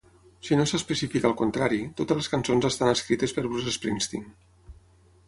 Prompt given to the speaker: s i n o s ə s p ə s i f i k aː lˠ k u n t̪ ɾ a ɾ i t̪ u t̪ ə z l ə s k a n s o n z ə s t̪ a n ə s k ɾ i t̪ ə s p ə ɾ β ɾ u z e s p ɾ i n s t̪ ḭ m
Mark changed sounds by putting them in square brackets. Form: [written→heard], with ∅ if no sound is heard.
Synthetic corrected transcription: s i n o s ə s p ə s i f i k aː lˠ k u n t̪ ɾ a ɾ i t̪ [u→o] t̪ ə z l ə s k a n s o n z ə s t̪ a n ə s k ɾ i t̪ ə s p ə ɾ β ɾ u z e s p ɾ i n s t̪ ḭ [m→ŋ]